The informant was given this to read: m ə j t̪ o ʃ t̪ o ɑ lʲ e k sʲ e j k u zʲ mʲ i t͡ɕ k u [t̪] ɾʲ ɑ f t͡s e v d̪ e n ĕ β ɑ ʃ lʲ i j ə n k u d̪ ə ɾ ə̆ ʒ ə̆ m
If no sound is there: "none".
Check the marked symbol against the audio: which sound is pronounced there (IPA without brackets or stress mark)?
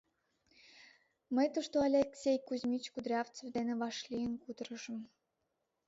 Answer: d̪